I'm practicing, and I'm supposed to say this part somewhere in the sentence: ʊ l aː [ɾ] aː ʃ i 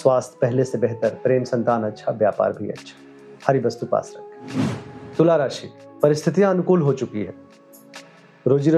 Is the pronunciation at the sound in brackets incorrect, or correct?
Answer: correct